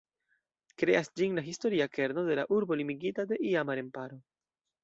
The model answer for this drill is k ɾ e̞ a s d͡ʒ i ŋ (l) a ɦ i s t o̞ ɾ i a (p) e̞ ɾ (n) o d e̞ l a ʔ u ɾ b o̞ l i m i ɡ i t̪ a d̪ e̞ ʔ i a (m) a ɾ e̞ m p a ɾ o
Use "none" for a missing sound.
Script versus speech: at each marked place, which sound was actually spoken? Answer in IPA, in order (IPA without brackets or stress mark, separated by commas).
l, k, n, m